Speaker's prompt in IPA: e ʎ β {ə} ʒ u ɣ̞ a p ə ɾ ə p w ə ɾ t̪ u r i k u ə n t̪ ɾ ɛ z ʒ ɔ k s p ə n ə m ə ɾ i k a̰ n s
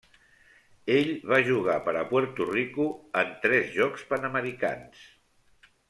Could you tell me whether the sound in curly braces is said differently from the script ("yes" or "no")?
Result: yes